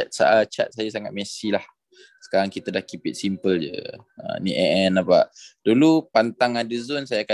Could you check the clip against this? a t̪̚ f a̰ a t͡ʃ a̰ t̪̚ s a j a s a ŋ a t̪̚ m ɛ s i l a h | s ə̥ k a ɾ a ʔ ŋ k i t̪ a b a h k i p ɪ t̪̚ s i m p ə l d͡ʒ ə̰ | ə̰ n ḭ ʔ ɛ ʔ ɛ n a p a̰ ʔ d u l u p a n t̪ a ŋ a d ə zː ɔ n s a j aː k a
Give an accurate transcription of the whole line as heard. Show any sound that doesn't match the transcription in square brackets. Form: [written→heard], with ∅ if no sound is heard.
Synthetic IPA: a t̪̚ [f→s] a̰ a t͡ʃ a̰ t̪̚ s a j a s a ŋ a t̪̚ m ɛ s i l a h | s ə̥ k a ɾ a [ʔ→∅] ŋ k i t̪ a [b→d] a h k i p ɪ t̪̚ s i m p ə l d͡ʒ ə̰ | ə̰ n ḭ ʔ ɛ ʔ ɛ n a p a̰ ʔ d u l u p a n t̪ a ŋ a d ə [zː→z] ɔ n s a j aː k a